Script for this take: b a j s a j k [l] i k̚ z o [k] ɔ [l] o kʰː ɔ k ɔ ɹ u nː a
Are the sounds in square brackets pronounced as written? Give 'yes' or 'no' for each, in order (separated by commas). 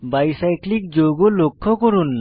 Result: yes, no, yes